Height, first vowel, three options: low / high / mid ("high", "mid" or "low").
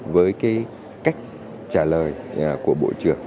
mid